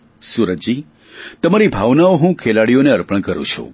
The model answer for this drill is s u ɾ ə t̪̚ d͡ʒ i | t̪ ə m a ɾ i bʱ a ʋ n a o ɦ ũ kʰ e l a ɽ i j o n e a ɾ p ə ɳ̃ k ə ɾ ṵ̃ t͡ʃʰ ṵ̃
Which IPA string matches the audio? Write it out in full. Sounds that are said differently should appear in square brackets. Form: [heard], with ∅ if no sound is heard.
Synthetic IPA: s u ɾ ə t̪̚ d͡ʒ i | t̪ ə m a ɾ i bʱ a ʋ n a o ɦ ũ kʰ e l a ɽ i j o n e [ə] ɾ p ə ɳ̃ k ə ɾ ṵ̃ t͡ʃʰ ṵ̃